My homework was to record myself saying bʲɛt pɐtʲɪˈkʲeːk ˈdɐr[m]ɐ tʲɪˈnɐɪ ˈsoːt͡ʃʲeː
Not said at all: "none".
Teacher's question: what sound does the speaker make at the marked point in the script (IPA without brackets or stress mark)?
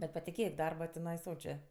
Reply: b